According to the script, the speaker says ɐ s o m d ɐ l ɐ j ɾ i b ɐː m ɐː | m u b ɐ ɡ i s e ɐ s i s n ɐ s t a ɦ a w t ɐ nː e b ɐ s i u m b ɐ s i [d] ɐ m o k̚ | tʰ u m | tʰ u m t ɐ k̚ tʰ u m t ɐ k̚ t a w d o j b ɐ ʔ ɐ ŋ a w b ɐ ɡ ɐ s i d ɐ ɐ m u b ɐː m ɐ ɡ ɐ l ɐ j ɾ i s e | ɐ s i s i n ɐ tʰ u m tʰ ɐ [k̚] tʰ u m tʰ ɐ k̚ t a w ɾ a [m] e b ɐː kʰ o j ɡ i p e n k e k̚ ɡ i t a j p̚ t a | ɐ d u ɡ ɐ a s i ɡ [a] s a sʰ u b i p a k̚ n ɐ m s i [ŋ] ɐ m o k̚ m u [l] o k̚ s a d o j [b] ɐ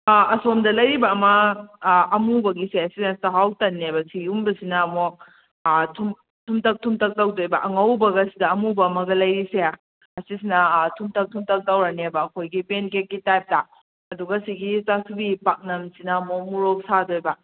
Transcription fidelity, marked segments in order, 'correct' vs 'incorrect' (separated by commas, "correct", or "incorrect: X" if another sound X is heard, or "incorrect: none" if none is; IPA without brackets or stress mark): incorrect: n, correct, incorrect: n, incorrect: i, incorrect: n, incorrect: ɾ, correct